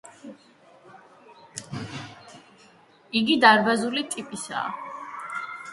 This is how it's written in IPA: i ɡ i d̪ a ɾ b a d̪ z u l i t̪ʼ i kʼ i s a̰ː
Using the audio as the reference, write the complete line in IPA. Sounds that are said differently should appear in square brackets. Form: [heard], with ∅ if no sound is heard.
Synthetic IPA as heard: i ɡ i d̪ a ɾ b a [∅] z u l i t̪ʼ i [pʼ] i s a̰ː